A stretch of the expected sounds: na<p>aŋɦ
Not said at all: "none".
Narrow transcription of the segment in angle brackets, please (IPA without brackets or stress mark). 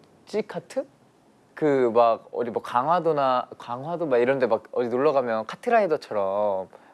k